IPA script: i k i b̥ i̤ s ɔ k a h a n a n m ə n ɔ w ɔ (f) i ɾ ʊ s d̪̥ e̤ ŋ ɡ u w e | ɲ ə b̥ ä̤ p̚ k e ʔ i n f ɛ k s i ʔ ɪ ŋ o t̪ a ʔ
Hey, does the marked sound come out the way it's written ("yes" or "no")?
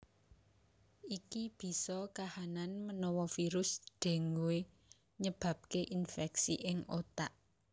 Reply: yes